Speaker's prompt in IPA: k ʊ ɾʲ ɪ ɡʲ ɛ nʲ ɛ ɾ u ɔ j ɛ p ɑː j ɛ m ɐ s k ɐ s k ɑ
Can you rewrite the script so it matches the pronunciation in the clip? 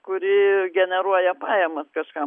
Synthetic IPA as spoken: k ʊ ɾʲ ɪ ɡʲ ɛ nʲ ɛ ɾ u ɔ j ɛ p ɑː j ɛ m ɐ s k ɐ ʃ k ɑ

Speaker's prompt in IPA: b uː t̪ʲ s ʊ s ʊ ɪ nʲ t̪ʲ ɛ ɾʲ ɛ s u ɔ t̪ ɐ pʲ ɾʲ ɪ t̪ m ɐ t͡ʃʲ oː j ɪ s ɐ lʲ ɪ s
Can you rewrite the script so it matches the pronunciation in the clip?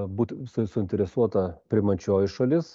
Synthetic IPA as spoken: b uː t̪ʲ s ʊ s ʊ ɪ nʲ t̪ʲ ɛ ɾʲ ɛ s u ɔ t̪ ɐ pʲ ɾʲ ɪ m ɐ t͡ʃʲ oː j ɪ ʃ ɐ lʲ ɪ s

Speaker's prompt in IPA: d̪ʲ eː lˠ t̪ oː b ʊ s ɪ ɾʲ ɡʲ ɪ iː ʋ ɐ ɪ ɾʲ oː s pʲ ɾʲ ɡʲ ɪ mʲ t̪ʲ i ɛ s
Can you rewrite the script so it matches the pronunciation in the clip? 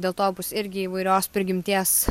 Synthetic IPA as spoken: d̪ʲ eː lˠ t̪ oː b ʊ s ɪ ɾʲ ɡʲ ɪ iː ʋ ɐ ɪ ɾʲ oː s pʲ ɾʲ ɡʲ ɪ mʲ t̪ʲ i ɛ s

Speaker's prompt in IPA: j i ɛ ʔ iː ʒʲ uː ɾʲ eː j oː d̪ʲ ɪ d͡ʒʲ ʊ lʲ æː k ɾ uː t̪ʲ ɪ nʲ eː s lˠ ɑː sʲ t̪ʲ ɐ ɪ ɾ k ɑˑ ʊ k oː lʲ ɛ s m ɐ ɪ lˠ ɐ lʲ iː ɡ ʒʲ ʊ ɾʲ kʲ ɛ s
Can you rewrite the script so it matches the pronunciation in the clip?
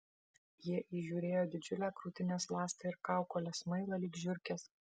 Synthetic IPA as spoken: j i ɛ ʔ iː ʒʲ uː ɾʲ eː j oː d̪ʲ ɪ d͡ʒʲ ʊ lʲ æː k ɾ uː t̪ʲ ɪ nʲ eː s lˠ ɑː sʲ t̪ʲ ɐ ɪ ɾ k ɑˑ ʊ k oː lʲ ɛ s m ɐ ɪ lˠ ɐ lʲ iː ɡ ʒʲ ʊ ɾʲ kʲ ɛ s

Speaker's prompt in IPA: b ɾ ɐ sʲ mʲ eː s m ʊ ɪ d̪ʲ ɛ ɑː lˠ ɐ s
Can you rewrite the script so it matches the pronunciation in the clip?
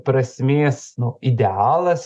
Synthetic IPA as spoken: p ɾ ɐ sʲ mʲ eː s n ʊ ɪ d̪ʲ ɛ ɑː lˠ ɐ s

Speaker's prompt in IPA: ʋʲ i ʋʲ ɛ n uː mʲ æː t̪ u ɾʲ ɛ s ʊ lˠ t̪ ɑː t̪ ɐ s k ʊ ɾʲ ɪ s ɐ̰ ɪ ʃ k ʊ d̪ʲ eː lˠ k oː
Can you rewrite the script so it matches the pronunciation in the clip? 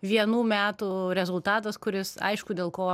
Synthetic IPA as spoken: ʋʲ i ɛ n uː mʲ æː t̪ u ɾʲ ɛ z ʊ lˠ t̪ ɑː t̪ ɐ s k ʊ ɾʲ ɪ s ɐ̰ ɪ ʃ k ʊ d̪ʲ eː lˠ k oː

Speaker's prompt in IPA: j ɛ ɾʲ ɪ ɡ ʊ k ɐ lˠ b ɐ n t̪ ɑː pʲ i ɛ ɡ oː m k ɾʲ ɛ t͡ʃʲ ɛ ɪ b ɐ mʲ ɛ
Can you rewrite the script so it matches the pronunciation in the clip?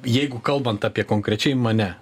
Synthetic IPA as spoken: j ɛ ɪ ɡ ʊ k ɐ lˠ b ɐ n t̪ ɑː pʲ i ɛ k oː ŋ k ɾʲ ɛ t͡ʃʲ ɛ ɪ m ɐ nʲ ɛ

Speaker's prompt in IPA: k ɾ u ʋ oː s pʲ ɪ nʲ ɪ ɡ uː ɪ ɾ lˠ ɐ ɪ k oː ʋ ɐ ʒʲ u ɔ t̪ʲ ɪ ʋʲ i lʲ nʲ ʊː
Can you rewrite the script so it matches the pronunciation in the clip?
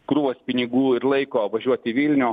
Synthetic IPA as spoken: k ɾ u ʋ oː s pʲ ɪ nʲ ɪ ɡ uː ɪ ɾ lˠ ɐ ɪ k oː ʋ ɐ ʒʲ u ɔ t̪ʲ ɪ ʋʲ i lʲ nʲ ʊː

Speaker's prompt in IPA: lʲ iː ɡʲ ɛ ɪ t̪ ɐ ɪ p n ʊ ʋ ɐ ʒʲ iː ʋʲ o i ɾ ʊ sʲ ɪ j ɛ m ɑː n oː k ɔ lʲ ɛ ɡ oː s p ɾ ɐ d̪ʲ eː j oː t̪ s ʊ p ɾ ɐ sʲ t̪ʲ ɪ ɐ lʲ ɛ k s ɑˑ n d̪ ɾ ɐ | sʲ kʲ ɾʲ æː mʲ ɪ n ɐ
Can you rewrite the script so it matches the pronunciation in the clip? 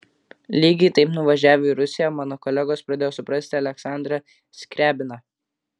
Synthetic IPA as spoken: lʲ iː ɡʲ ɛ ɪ t̪ ɐ ɪ p n ʊ ʋ ɐ ʒʲ æː ʋʲ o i ɾ ʊ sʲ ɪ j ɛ m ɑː n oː k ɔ lʲ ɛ ɡ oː s p ɾ ɐ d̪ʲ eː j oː s ʊ p ɾ ɐ sʲ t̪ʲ ɪ ɐ lʲ ɛ k s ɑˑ n d̪ ɾ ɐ | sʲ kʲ ɾʲ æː bʲ ɪ n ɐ

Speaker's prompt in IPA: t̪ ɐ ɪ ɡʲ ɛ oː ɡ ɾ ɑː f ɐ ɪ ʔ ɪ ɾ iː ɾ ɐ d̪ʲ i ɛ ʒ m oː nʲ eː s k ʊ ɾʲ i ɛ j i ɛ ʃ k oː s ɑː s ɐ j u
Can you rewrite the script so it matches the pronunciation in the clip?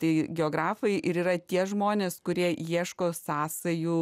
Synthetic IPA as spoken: t̪ ɐ ɪ ɡʲ ɛ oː ɡ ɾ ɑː f ɐ ɪ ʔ ɪ ɾ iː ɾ ɐ t̪ʲ i ɛ ʒ m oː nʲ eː s k ʊ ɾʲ i ɛ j i ɛ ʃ k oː s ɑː s ɐ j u

